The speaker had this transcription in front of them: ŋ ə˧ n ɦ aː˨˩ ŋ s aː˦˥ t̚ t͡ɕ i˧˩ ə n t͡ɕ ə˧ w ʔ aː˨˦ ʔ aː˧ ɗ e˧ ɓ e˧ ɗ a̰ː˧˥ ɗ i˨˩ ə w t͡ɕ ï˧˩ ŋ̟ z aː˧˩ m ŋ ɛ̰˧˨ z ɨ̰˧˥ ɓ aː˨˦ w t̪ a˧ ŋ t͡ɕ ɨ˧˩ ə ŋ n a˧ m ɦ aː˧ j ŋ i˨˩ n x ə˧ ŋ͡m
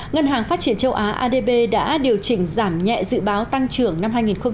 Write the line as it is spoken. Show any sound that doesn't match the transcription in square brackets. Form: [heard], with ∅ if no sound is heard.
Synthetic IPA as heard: ŋ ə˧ n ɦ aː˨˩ ŋ [f] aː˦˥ t̚ t͡ɕ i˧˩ ə n t͡ɕ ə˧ w ʔ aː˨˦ ʔ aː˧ ɗ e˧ ɓ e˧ ɗ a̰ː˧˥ ɗ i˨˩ ə w t͡ɕ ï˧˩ ŋ̟ z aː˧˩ m [ɲ] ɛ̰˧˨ z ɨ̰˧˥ ɓ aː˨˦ w t̪ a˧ ŋ t͡ɕ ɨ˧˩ ə ŋ n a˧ m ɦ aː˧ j ŋ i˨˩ n x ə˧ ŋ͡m

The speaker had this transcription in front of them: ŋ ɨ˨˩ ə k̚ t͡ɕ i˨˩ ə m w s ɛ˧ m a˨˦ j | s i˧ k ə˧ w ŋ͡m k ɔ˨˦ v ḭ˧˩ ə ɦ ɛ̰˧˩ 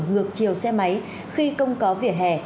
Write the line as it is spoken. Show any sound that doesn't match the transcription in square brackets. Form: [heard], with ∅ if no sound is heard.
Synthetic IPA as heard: ŋ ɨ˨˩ ə k̚ t͡ɕ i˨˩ ə [∅] w s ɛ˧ m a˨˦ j | [x] i˧ k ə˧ w ŋ͡m k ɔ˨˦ v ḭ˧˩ ə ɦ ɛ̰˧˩

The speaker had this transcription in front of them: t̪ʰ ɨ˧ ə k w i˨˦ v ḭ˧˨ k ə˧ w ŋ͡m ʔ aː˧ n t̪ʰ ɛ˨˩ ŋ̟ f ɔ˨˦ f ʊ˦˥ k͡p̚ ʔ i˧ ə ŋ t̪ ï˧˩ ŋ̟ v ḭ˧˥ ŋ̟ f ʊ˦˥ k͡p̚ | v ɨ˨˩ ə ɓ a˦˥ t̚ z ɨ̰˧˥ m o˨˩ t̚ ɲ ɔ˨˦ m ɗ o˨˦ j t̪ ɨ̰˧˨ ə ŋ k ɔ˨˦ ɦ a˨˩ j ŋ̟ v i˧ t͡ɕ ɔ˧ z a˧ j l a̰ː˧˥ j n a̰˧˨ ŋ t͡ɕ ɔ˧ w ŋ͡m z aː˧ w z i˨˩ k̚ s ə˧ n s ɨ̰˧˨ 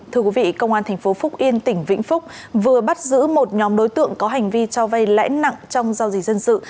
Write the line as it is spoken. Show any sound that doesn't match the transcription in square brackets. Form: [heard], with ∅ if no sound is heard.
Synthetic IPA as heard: t̪ʰ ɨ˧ ə k w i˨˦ v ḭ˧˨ k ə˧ w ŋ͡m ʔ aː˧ n t̪ʰ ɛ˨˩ ŋ̟ f [o˨˦] f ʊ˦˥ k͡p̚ ʔ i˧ ə [n] t̪ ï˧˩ ŋ̟ v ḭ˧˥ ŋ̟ f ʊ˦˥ k͡p̚ | v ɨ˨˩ ə ɓ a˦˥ t̚ z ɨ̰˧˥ m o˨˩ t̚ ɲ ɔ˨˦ m ɗ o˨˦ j t̪ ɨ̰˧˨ ə ŋ k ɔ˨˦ ɦ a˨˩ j ŋ̟ v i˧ t͡ɕ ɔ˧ [v] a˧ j l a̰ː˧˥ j n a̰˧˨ ŋ t͡ɕ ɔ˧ w ŋ͡m z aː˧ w z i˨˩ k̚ [z] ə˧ n s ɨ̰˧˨

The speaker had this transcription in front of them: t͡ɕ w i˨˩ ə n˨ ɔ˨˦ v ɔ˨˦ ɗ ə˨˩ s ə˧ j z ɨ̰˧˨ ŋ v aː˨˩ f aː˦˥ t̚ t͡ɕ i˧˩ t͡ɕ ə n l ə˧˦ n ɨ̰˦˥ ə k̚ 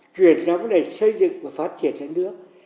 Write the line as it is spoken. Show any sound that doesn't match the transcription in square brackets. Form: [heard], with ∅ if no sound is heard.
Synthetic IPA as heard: t͡ɕ w i˨˩ ə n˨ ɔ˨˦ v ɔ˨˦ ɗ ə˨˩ s ə˧ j z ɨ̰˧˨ ŋ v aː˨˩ f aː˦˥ t̚ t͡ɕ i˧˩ [∅] ə n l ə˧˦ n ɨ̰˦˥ ə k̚

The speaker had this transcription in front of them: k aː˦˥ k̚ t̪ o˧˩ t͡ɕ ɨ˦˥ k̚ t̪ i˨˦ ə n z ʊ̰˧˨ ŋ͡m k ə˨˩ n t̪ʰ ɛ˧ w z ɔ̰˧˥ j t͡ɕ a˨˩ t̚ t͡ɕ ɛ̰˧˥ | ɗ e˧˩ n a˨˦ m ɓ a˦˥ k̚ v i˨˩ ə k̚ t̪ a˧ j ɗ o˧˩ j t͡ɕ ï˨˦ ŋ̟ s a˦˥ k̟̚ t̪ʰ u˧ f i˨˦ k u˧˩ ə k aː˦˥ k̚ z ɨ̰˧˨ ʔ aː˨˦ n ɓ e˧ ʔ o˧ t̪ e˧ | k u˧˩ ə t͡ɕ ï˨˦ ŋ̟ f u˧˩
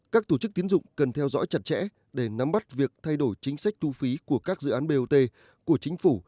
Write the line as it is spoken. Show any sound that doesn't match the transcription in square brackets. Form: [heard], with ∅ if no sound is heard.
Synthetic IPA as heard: k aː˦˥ k̚ t̪ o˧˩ t͡ɕ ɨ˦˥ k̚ t̪ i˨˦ ə n z ʊ̰˧˨ ŋ͡m k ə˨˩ n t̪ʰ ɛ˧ w z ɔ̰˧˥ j t͡ɕ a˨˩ t̚ t͡ɕ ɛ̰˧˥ | ɗ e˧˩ n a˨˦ m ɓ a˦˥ [t̚] v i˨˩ ə k̚ [t̪ʰ] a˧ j ɗ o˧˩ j t͡ɕ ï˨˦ ŋ̟ s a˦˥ k̟̚ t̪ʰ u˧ f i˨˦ k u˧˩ ə k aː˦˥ k̚ z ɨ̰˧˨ ʔ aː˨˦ n ɓ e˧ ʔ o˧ t̪ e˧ | k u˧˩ ə t͡ɕ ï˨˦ ŋ̟ f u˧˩

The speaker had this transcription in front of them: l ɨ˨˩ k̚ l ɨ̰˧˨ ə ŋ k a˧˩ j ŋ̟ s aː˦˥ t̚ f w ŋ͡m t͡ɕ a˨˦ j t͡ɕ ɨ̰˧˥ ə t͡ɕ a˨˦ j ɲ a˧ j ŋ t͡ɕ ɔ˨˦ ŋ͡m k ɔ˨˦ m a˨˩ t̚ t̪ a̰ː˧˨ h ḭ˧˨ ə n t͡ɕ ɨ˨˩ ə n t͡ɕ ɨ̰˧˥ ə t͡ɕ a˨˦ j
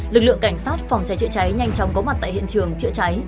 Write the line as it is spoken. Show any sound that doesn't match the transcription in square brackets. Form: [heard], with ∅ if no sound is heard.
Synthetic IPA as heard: l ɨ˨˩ k̚ l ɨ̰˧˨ ə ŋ k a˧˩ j ŋ̟ s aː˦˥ t̚ f w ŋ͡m t͡ɕ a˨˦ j t͡ɕ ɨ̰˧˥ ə t͡ɕ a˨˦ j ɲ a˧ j ŋ t͡ɕ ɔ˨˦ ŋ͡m k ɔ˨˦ m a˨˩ t̚ t̪ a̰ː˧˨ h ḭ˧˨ ə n t͡ɕ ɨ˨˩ ə [ŋ] t͡ɕ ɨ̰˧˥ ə t͡ɕ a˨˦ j

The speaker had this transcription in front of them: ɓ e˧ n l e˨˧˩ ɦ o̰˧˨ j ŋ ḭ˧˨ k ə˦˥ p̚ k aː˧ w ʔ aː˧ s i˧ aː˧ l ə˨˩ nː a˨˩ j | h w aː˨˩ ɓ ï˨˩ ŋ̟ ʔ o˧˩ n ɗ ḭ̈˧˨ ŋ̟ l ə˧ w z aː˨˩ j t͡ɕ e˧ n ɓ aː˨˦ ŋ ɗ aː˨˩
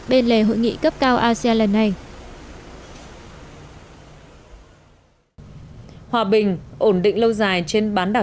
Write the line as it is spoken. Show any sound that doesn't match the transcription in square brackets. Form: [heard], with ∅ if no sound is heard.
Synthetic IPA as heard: ɓ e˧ n l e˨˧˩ ɦ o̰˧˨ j ŋ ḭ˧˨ k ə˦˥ p̚ k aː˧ w ʔ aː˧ s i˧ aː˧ l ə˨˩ nː a˨˩ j | h w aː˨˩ ɓ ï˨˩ ŋ̟ ʔ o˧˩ n ɗ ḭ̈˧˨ ŋ̟ l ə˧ w z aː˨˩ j t͡ɕ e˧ n ɓ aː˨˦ [n] ɗ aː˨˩

